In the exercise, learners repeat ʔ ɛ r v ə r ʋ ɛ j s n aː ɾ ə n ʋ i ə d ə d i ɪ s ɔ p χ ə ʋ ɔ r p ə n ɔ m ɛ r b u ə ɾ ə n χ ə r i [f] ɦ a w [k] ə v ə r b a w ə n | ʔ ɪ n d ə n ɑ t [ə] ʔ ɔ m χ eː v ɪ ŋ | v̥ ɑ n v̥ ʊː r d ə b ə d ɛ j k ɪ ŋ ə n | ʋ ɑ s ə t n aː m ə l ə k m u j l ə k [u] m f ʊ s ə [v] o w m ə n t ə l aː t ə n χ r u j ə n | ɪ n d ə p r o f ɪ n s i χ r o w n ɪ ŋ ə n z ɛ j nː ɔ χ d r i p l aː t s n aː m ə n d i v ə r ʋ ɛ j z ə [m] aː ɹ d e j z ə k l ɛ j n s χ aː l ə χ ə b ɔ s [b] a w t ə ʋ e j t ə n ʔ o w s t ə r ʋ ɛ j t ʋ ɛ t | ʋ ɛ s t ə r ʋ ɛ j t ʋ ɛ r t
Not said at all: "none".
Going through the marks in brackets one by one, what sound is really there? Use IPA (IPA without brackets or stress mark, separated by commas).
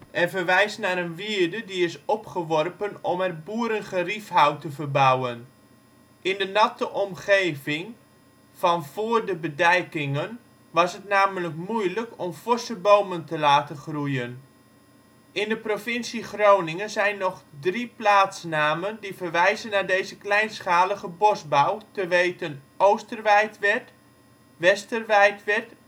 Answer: f, t, ə, ɔ, b, n, b